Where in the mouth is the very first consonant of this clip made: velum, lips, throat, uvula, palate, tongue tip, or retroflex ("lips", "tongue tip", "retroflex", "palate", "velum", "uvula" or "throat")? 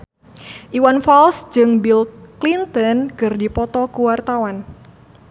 throat